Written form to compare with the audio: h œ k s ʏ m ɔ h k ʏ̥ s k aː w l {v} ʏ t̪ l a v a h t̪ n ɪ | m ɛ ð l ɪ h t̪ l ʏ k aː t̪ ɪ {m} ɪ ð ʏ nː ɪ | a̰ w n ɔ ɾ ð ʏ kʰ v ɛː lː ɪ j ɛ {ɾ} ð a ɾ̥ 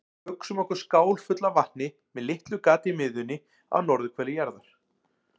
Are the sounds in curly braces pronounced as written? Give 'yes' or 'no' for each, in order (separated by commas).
no, yes, yes